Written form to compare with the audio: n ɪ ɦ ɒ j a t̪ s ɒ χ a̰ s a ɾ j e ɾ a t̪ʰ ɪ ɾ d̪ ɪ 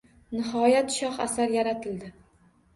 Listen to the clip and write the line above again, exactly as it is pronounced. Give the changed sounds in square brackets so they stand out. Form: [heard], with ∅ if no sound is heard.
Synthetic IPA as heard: n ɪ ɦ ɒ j a t̪ [ʃ] ɒ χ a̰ s a ɾ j [a] ɾ a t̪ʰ ɪ [l] d̪ ɪ